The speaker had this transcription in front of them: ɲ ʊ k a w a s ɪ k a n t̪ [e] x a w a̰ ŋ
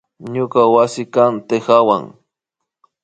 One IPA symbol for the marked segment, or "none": e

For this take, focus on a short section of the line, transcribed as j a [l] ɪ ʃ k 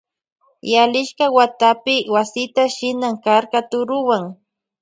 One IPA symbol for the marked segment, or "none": l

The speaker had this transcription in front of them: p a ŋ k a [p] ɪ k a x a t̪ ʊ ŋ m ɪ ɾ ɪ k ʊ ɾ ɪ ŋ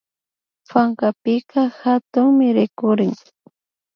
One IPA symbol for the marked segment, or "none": p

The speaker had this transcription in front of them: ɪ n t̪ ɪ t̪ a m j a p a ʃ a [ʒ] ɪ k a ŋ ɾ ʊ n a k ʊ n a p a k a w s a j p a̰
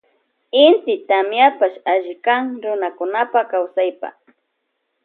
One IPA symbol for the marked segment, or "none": ʒ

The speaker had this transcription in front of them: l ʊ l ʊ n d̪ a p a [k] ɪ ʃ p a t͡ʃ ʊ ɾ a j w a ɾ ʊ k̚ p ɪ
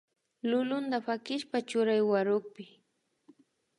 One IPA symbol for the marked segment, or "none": k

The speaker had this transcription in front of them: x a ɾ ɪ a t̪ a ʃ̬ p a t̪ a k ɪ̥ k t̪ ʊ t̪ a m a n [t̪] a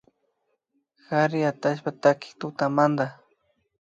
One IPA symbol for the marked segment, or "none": d̪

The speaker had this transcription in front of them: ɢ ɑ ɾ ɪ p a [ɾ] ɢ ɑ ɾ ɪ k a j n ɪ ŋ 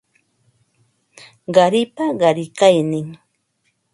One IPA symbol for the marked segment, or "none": none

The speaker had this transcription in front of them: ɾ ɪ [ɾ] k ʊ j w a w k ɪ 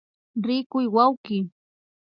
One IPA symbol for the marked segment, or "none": none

